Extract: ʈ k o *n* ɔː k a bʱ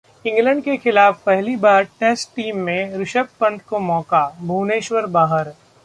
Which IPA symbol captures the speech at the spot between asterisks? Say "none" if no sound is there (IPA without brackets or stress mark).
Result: m